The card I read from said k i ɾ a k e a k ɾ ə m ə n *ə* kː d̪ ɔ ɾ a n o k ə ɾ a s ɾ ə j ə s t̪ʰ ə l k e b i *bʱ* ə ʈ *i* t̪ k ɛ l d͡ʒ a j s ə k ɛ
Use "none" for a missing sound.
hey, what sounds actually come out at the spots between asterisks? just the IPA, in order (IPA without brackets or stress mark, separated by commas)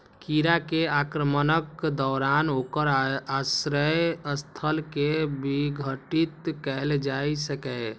ə, ɡʱ, i